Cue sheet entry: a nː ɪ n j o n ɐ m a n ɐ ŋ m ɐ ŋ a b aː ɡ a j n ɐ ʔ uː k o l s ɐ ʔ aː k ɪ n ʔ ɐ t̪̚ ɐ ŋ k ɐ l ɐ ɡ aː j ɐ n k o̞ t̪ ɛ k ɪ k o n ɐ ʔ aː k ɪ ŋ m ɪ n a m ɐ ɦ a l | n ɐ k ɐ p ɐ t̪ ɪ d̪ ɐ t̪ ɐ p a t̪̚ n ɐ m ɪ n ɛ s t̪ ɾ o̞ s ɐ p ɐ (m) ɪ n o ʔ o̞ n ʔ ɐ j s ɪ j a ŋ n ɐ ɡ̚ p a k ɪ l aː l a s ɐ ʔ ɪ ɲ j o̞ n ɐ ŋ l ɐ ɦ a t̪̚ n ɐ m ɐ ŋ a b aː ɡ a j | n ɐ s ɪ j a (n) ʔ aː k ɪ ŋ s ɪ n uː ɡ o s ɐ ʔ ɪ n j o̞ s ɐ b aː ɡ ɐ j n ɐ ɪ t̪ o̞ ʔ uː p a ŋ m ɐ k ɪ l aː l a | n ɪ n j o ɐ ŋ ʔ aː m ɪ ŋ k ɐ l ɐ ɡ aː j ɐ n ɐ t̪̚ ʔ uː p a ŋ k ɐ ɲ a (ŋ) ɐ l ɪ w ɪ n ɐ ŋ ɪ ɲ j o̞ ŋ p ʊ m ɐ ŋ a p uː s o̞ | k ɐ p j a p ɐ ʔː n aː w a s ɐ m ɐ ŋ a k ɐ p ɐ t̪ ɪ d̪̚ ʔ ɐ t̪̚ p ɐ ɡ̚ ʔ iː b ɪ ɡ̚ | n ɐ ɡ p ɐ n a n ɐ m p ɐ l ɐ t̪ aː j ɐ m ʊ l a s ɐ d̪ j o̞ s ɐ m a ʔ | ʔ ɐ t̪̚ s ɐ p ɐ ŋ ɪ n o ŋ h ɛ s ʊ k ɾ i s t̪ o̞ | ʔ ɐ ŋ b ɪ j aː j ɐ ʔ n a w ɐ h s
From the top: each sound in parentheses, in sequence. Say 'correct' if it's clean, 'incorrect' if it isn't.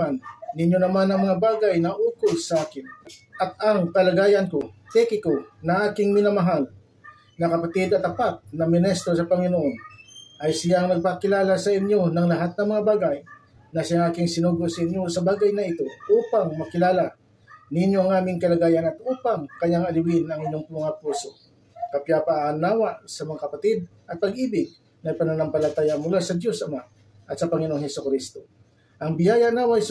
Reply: incorrect: ŋ, incorrect: ŋ, correct

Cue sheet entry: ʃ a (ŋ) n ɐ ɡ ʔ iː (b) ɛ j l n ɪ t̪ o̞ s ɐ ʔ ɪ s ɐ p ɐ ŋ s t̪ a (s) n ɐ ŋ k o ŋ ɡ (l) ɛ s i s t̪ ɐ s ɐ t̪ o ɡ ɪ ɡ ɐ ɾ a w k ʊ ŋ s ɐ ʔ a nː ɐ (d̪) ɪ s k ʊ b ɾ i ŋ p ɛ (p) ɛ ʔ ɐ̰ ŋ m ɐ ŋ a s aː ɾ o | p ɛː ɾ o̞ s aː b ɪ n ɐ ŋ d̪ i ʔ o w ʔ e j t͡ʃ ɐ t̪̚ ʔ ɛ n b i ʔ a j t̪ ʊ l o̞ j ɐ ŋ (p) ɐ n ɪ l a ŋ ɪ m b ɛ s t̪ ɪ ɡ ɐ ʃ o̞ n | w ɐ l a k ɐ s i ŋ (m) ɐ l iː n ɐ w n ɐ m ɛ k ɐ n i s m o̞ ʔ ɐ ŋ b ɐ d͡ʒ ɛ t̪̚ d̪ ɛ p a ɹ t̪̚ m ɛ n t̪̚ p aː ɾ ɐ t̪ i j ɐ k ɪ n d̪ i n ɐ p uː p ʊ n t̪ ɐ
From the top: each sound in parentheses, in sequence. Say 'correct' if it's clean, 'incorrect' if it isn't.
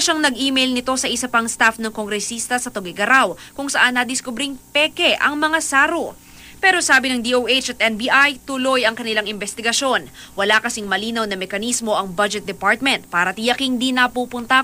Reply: correct, incorrect: m, incorrect: f, incorrect: ɾ, correct, incorrect: k, incorrect: k, correct

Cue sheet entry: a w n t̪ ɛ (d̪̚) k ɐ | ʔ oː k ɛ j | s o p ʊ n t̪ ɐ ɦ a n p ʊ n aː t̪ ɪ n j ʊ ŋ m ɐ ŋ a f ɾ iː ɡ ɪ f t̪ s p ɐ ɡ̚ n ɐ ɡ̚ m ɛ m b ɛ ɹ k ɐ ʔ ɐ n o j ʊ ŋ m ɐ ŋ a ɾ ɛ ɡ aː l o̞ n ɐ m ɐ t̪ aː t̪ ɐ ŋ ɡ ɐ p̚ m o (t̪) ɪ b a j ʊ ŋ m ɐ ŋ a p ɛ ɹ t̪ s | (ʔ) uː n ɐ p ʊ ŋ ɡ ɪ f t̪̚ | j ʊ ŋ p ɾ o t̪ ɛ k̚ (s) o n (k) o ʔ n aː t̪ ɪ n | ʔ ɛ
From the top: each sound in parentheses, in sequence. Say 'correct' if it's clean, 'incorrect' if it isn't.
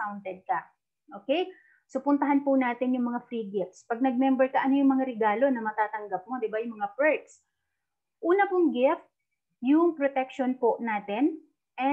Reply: correct, incorrect: d̪, correct, incorrect: ʃ, incorrect: p

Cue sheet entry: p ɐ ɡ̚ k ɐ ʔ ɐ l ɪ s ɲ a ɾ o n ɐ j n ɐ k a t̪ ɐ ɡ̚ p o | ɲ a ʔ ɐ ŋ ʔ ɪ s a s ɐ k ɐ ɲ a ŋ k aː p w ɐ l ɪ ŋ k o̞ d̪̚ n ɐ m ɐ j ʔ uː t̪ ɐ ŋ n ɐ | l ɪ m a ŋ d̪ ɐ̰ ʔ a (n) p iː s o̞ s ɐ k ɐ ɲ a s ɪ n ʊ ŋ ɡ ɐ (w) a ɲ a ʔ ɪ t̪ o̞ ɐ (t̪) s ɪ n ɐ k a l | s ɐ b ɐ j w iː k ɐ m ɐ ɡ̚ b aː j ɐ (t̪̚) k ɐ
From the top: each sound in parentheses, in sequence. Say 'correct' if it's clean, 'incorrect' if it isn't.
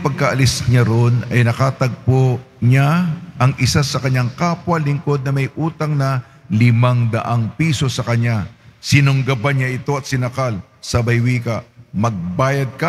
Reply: incorrect: ŋ, incorrect: b, correct, incorrect: d̪̚

